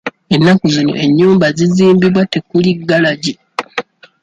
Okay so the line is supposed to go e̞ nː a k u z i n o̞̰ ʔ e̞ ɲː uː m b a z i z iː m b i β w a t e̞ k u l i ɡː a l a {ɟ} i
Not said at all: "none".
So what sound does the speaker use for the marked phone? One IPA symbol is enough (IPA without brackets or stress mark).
ɟ